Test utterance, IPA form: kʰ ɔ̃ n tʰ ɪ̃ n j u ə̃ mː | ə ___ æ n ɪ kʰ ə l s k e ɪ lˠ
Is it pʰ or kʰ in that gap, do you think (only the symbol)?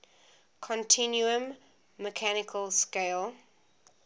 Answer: kʰ